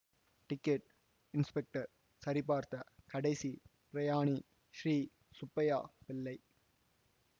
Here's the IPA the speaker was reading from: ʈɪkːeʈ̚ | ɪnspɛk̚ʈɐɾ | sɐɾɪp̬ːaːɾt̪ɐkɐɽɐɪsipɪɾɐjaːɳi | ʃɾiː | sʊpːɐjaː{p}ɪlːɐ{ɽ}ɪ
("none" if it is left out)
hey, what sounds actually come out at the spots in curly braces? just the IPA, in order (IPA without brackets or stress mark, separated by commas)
p, none